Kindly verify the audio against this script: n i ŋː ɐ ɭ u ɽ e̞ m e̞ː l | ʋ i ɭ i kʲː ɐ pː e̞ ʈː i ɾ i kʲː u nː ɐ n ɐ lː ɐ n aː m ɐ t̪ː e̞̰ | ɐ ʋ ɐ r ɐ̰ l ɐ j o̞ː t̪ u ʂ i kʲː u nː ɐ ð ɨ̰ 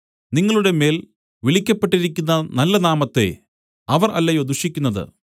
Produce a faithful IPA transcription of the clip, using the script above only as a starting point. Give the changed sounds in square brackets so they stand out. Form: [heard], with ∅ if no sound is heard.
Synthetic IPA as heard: n i ŋː ɐ ɭ u ɽ e̞ m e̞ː l | ʋ i ɭ i kʲː ɐ pː e̞ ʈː i ɾ i kʲː u nː ɐ n ɐ lː ɐ n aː m ɐ t̪ː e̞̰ | ɐ ʋ ɐ r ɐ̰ [lː] ɐ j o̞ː [d̪] u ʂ i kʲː u nː ɐ ð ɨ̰

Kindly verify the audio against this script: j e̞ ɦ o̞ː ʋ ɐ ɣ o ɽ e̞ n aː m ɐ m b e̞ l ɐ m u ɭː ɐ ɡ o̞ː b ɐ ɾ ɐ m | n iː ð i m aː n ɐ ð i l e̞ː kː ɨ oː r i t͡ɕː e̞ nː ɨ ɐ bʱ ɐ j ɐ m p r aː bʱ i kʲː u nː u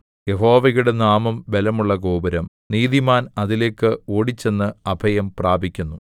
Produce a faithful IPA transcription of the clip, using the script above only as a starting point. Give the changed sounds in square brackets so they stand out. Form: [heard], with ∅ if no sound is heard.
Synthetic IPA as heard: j e̞ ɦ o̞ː ʋ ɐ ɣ [u] ɽ e̞ n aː m ɐ m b e̞ l ɐ m u ɭː ɐ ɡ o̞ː b ɐ ɾ ɐ m | n iː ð i m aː n ɐ ð i l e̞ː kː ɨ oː [ɽ] i t͡ɕː e̞ nː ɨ ɐ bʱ ɐ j ɐ m p r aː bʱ i kʲː u nː u

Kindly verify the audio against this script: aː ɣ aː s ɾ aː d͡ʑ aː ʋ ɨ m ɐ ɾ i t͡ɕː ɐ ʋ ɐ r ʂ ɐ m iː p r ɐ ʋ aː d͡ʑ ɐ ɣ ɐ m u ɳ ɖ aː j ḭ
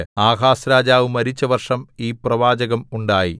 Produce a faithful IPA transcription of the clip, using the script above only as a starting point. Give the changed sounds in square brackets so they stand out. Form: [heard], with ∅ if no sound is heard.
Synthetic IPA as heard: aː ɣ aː s ɾ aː d͡ʑ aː ʋ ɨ m ɐ ɾ i t͡ɕː ɐ ʋ ɐ r ʂ ɐ m iː p r ɐ ʋ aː d͡ʑ ɐ ɣ ɐ m u ɳ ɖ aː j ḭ

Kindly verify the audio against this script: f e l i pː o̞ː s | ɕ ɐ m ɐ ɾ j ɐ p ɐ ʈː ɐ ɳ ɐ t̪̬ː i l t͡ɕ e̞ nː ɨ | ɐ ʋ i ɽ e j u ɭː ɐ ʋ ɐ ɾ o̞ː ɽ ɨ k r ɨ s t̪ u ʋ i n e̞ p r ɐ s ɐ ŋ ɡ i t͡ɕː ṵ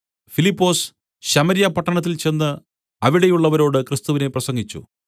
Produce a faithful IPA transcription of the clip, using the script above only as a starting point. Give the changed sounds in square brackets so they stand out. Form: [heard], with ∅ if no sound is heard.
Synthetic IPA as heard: f [i] l i pː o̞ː s | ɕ ɐ m ɐ ɾ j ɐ p ɐ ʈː ɐ ɳ ɐ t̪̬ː i l t͡ɕ e̞ nː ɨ | ɐ ʋ i ɽ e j u ɭː ɐ ʋ ɐ ɾ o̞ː ɽ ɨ k r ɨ s t̪ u ʋ i n e̞ p r ɐ s ɐ ŋ ɡ i t͡ɕː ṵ

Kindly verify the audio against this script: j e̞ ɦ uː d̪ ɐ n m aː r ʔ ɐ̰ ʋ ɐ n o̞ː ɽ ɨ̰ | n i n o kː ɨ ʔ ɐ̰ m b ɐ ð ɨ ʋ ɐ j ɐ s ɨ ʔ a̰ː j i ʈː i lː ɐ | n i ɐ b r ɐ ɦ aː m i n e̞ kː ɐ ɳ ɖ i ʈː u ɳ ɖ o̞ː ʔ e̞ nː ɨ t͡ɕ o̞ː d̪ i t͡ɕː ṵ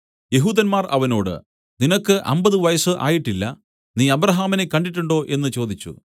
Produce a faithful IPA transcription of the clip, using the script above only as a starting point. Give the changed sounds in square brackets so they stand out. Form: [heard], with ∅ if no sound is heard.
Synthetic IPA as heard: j e̞ ɦ uː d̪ ɐ n m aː r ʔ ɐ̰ ʋ ɐ n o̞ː ɽ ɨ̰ | n i n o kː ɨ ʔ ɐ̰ m b ɐ ð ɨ ʋ ɐ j ɐ s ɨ ʔ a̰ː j i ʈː i lː ɐ | n [iː] ɐ b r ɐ ɦ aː m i n e̞ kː ɐ ɳ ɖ i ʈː u ɳ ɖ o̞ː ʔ e̞ nː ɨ t͡ɕ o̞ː d̪ i t͡ɕː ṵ

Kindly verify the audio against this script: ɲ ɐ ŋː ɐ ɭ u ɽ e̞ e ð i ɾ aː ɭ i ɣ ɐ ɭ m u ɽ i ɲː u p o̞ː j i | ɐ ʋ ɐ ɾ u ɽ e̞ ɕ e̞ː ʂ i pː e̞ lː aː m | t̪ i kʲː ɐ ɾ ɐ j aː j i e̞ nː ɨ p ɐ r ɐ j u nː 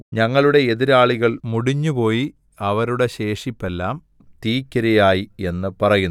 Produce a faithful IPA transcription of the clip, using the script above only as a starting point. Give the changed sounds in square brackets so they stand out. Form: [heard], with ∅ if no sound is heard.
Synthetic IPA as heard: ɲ ɐ ŋː ɐ ɭ u ɽ e̞ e ð i ɾ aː ɭ i ɣ ɐ ɭ m u ɽ i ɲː u p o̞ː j i | ɐ ʋ ɐ ɾ u ɽ e̞ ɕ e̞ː ʂ i pː e̞ lː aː m | t̪ [iː] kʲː ɐ ɾ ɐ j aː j i e̞ nː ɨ p ɐ r ɐ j u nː

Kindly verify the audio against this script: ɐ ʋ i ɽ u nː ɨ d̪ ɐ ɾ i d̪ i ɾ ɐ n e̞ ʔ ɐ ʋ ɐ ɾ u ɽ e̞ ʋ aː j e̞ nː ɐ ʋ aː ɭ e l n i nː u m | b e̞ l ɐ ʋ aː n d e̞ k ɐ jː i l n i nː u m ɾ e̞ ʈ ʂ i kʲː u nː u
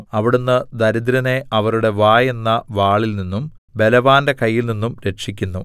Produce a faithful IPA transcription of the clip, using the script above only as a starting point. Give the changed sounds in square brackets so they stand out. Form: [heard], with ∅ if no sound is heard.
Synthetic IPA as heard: ɐ ʋ i ɽ u nː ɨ d̪ ɐ ɾ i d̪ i ɾ ɐ n e̞ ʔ ɐ ʋ ɐ ɾ u ɽ e̞ ʋ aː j e̞ nː ɐ ʋ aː ɭ [i] l n i nː u m | b e̞ l ɐ ʋ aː n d e̞ k ɐ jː i l n i nː u m ɾ e̞ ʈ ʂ i kʲː u nː u

